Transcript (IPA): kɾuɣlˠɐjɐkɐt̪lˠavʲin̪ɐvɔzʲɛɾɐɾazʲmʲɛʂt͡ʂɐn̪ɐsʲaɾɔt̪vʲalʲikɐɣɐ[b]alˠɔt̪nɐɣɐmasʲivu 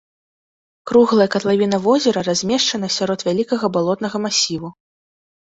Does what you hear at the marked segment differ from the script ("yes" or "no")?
no